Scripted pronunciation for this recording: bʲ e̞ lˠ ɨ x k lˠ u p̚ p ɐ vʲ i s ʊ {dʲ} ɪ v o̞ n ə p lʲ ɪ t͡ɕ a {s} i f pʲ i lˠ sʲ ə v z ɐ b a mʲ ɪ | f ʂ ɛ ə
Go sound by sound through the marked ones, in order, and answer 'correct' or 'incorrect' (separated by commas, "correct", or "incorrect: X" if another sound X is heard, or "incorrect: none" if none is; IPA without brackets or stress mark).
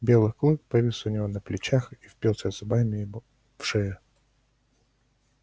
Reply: incorrect: nʲ, incorrect: x